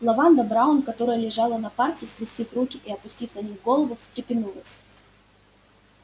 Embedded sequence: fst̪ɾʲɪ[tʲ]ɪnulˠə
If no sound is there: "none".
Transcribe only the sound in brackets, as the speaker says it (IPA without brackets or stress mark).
pʲ